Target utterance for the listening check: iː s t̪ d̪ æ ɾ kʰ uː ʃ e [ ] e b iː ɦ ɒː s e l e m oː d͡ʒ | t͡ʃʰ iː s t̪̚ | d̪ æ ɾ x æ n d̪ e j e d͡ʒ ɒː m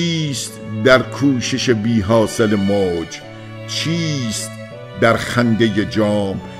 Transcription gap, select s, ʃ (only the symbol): ʃ